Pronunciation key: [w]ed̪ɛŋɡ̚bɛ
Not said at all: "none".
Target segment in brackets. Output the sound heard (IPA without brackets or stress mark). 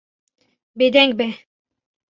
b